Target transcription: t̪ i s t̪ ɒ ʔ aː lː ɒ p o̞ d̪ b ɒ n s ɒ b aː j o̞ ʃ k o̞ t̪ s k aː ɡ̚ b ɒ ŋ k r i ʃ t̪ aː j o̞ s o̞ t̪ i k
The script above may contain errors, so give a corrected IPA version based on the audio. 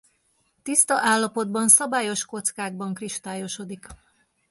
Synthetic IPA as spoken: t̪ i s t̪ ɒ ʔ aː lː ɒ p o̞ d̪ b ɒ n s ɒ b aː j o̞ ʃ k o̞ t̪ s k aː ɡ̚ b ɒ ŋ k r i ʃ t̪ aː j o̞ ʃ o̞ d̪ i k